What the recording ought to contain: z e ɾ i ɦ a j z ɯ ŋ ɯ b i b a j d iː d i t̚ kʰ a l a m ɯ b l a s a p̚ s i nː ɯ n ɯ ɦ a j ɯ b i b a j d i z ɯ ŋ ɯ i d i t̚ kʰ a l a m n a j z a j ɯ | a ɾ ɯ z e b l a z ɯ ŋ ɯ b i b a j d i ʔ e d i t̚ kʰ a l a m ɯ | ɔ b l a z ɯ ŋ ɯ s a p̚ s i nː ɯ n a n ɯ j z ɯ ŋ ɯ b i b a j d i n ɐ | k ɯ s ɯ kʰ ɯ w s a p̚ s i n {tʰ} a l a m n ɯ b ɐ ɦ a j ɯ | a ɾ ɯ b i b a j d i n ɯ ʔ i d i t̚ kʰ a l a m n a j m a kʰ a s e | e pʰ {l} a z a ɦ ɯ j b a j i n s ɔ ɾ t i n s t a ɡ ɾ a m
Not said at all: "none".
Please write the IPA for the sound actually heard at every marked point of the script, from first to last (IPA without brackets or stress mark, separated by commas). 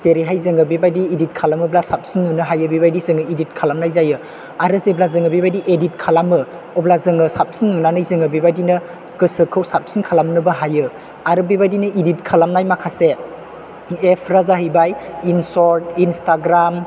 kʰ, ɾ